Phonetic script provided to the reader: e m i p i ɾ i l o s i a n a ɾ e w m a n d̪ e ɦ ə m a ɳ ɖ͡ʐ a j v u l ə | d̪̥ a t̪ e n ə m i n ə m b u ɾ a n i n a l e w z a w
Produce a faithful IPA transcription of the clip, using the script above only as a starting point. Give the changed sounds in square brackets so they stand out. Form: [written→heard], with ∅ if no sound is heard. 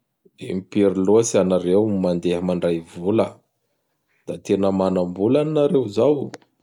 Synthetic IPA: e m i p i ɾ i l o s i a n a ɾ e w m a n d̪ e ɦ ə m a ɳ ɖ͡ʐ a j v u l ə | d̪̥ a t̪ e n ə m [i→a] n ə m b u [ɾ→l] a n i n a [l→ɾ] e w z a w